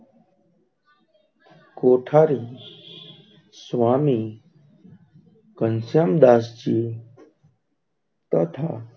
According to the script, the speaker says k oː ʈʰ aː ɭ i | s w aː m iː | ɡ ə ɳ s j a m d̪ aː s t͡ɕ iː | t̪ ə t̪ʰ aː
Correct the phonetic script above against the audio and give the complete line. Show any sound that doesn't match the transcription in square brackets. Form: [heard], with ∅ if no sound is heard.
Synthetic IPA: k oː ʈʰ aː [ɾ] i | s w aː m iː | [k] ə [n] s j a m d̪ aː s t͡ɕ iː | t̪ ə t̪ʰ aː